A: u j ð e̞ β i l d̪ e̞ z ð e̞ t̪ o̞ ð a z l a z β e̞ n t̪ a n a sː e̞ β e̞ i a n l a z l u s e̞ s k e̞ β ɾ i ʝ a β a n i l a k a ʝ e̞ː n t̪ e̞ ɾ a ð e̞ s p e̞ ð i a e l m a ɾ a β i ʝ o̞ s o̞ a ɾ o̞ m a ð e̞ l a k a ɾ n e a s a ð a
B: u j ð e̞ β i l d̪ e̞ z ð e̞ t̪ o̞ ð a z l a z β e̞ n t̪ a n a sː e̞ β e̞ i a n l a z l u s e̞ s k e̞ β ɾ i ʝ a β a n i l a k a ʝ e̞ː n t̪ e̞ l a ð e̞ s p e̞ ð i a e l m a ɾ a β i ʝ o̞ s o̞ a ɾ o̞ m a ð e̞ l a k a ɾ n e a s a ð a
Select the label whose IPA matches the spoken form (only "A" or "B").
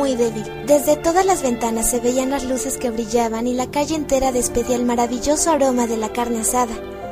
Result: A